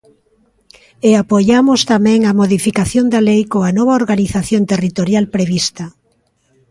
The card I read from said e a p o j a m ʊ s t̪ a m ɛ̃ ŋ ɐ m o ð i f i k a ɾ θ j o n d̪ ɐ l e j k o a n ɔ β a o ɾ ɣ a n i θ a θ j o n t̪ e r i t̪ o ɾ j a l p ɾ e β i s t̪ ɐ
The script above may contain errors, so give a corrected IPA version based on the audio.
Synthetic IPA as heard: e a p o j a m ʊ s t̪ a m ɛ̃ ŋ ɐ m o ð i f i k a θ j o n d̪ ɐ l e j k o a n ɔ β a o ɾ ɣ a n i θ a θ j o n t̪ e r i t̪ o ɾ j a l p ɾ e β i s t̪ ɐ

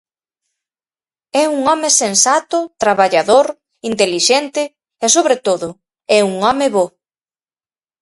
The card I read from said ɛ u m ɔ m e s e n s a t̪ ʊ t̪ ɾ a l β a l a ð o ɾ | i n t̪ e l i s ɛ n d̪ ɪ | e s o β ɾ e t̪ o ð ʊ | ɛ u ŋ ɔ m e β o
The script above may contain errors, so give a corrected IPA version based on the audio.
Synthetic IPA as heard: ɛ u ŋ ɔ m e s e n s a t̪ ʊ t̪ ɾ a β a ʎ a ð o ɾ | i n t̪ e l i ʃ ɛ n t̪ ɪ | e s o β ɾ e t̪ o ð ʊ | ɛ u ŋ ɔ m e β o

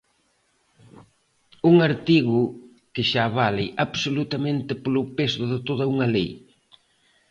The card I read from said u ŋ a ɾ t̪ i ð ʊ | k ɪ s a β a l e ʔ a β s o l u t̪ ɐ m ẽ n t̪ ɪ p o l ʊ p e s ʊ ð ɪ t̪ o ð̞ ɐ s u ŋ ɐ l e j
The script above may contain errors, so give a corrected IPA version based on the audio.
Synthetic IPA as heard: u ŋ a ɾ t̪ i ɣ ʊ | k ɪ ʃ a β a l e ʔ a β s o l u t̪ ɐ m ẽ n t̪ ɪ p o l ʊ p e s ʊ ð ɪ t̪ o ð̞ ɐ u ŋ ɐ l e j

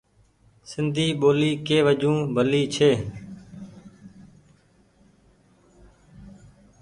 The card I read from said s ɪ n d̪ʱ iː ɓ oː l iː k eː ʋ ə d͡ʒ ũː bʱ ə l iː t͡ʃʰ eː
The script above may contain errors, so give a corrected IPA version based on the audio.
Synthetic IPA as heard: s ɪ n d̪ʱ iː ɓ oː l iː k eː ʋ ə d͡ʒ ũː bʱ ə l iː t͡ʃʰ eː

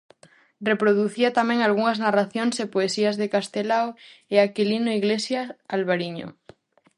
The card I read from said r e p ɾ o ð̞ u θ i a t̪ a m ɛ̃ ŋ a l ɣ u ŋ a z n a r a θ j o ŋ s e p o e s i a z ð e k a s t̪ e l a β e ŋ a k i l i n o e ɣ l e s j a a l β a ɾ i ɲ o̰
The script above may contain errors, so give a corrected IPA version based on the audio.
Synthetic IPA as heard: r e p ɾ o ð̞ u θ i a t̪ a m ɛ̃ ŋ a l ɣ u ŋ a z n a r a θ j o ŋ s e p o e s i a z ð e k a s t̪ e l a w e a k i l i n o i ɣ l e s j a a l β a ɾ i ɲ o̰

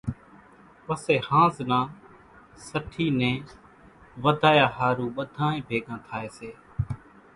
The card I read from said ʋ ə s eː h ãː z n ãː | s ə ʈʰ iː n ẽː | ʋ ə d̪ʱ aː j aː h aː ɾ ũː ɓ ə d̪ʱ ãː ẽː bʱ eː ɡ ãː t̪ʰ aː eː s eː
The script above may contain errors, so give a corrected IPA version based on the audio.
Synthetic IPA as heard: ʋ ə s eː h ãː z n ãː | s ə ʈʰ iː n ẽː | ʋ ə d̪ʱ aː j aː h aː ɾ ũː ɓ ə d̪ʱ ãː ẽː bʱ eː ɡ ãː t̪ʰ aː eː s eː

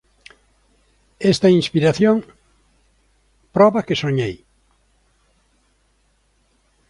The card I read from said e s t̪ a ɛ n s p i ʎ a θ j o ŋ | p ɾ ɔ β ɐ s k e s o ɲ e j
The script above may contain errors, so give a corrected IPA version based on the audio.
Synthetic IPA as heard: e s t̪ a i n s p i ɾ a θ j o ŋ | p ɾ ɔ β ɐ k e s o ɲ e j

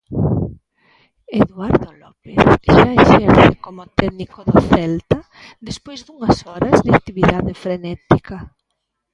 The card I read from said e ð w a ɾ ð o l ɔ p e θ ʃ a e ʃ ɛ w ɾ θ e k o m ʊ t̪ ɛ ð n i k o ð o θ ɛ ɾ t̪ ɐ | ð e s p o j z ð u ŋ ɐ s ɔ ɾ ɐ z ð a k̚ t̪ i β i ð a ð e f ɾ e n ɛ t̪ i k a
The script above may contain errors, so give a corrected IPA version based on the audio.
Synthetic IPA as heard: e ð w a ɾ ð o l ɔ p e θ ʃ a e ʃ ɛ ɾ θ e k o m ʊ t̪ ɛ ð n i k o ð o θ ɛ l t̪ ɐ | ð e s p o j z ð u ŋ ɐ s ɔ ɾ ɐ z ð a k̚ t̪ i β i ð a ð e f ɾ e n ɛ t̪ i k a

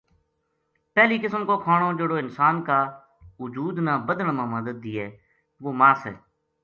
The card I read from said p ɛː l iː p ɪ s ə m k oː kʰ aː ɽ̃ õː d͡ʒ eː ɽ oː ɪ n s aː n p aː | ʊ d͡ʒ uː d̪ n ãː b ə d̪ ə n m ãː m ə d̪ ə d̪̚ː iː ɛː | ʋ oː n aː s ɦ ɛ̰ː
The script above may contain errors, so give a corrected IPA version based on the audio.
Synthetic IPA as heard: p ɛː l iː k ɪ s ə m k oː kʰ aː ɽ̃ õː d͡ʒ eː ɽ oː ɪ n s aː n k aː | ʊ d͡ʒ uː d̪ n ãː b ə d̪ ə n m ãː m ə d̪ ə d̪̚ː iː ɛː | ʋ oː m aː s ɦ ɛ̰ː

